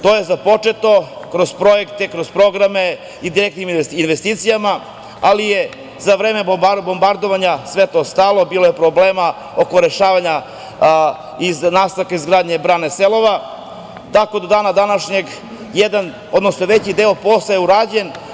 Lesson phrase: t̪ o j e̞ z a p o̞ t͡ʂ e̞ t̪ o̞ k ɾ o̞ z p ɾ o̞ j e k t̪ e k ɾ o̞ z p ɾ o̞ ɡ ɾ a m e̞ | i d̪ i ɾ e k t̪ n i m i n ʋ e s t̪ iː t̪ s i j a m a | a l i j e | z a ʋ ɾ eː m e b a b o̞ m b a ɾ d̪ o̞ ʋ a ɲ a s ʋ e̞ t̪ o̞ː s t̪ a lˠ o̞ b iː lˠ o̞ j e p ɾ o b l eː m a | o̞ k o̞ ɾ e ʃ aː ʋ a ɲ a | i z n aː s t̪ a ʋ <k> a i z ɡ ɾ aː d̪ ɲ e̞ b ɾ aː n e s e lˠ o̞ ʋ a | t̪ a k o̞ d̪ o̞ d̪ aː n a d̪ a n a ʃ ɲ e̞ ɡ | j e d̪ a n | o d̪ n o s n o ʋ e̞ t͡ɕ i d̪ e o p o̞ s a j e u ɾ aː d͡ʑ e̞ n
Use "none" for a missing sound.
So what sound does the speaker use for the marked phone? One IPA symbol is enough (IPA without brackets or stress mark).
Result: k